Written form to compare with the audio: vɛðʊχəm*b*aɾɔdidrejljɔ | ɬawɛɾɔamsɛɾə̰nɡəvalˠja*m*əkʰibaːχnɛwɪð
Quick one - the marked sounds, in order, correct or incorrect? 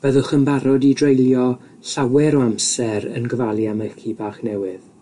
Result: correct, correct

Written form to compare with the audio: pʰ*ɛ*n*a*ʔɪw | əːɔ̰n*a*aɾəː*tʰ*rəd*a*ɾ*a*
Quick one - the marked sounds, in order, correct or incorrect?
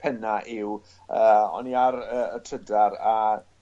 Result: correct, correct, incorrect, correct, correct, correct

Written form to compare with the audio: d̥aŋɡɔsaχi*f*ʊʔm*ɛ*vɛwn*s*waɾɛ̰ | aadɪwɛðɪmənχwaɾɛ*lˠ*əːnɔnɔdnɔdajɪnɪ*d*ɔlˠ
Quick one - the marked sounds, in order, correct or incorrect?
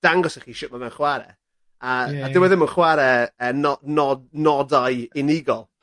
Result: incorrect, incorrect, incorrect, incorrect, incorrect

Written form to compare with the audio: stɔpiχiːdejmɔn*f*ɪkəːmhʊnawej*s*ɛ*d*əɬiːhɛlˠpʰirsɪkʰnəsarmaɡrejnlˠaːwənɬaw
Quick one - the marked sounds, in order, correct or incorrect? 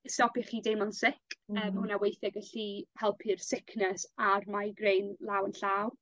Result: incorrect, incorrect, incorrect

